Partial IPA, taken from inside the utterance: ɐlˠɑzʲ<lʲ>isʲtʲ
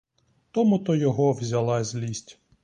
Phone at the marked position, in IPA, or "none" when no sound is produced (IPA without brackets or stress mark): lʲ